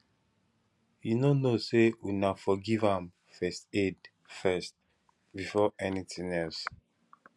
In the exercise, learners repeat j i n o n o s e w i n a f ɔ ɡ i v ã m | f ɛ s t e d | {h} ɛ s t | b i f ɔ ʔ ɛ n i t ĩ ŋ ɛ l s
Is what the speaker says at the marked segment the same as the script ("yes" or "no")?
no